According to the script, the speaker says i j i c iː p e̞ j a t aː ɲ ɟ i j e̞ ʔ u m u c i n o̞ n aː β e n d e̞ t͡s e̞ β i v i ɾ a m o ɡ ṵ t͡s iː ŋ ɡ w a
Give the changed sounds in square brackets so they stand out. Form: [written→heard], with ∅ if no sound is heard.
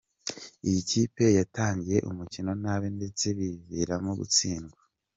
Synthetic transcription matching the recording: i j i c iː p e̞ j a t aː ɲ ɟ i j e̞ ʔ u m u c i n o̞ n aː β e n d e̞ t͡s e̞ β i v i ɾ a m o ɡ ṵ t͡s iː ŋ ɡ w a